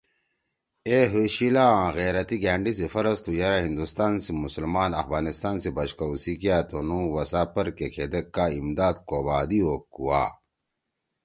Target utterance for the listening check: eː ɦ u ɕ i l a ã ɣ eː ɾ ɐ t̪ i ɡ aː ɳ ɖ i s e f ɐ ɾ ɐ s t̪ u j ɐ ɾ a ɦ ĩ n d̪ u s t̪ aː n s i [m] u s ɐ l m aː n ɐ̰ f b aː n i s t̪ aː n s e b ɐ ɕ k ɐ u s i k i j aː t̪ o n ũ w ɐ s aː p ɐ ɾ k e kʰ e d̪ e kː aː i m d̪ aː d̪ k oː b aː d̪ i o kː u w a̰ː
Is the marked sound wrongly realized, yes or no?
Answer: no